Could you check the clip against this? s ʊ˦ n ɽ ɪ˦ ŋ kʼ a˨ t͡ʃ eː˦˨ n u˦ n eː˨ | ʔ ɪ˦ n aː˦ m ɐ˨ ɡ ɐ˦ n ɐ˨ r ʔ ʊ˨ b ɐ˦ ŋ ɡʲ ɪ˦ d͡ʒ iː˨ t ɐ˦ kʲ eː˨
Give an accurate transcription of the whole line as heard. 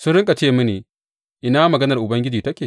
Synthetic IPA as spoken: s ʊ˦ n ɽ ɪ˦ ŋ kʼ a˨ t͡ʃ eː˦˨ m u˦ n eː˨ | ʔ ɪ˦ n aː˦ m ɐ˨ ɡ ɐ˦ n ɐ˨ r ʔ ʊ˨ b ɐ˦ ŋ ɡʲ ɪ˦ d͡ʒ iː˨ t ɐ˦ kʲ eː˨